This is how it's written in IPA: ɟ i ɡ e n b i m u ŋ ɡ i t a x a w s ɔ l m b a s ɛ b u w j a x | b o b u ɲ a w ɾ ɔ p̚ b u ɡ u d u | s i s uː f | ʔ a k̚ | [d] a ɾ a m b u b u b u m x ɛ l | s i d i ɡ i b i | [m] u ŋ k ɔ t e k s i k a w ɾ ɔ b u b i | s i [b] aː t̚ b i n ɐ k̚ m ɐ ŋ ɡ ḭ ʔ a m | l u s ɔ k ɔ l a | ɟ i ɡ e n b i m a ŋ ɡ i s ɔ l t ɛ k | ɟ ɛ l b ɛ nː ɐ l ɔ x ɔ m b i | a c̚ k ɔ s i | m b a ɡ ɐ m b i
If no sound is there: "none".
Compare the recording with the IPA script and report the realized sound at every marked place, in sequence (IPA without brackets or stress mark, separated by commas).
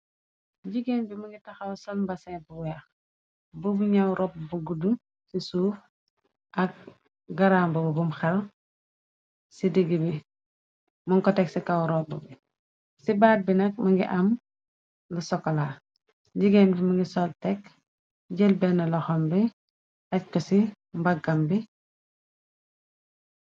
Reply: ɡ, m, b